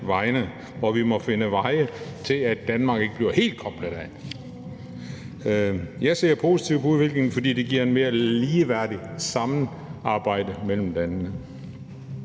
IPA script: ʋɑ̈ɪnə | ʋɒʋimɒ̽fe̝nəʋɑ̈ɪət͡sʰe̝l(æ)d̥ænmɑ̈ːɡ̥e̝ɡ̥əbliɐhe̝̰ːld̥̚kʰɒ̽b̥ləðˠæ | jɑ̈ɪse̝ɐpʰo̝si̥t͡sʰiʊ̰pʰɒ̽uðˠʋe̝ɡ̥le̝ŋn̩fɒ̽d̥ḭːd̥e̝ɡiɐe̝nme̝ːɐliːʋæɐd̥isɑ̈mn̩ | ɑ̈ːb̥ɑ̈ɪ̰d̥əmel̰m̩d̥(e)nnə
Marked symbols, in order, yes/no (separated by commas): yes, no